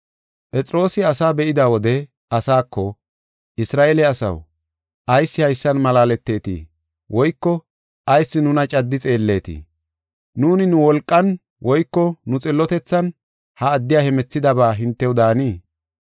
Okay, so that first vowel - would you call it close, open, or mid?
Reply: mid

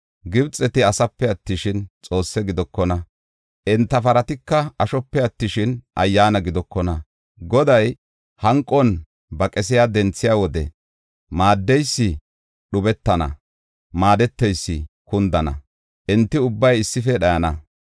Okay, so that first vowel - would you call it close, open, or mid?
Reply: close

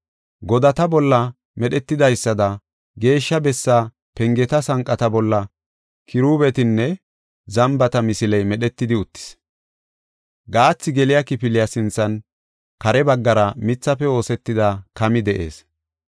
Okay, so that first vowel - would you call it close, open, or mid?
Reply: mid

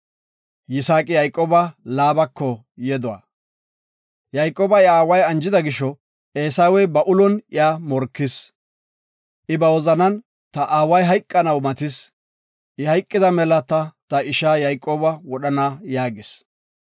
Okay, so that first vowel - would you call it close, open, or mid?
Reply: close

